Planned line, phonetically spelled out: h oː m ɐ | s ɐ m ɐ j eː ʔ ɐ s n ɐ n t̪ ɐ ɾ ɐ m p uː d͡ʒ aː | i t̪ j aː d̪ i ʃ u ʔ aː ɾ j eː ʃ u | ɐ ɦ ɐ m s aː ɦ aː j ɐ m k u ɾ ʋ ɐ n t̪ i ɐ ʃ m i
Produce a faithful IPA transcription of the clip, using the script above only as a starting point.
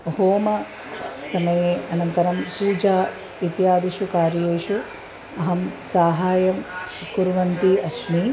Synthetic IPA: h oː m ɐ | s ɐ m ɐ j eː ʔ ɐ n ɐ n t̪ ɐ ɾ ɐ m p uː d͡ʒ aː | i t̪ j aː d̪ i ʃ u k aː ɾ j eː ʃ u | ɐ ɦ ɐ m s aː ɦ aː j ɐ m k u ɾ ʋ ɐ n t̪ i ɐ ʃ m i